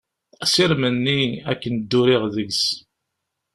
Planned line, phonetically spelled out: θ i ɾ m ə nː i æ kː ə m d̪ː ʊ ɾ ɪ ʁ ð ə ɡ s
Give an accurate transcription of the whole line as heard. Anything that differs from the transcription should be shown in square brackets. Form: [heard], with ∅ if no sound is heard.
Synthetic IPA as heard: [s] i ɾ m ə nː i æ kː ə [n] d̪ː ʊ ɾ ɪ ʁ ð ə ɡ s